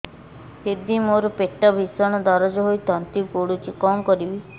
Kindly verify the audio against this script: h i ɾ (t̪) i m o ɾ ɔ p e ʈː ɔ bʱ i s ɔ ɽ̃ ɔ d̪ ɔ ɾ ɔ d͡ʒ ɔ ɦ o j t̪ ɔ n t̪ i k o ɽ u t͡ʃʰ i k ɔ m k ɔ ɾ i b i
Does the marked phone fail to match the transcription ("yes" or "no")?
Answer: yes